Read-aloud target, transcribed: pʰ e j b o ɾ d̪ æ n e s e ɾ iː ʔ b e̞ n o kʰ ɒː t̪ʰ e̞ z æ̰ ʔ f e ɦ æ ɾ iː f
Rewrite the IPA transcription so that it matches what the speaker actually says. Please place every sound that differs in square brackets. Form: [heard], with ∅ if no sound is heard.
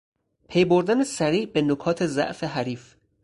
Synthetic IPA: pʰ e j b o ɾ d̪ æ n e s [æ] ɾ iː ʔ b e̞ n o kʰ ɒː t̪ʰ e̞ z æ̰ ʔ f e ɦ æ ɾ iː f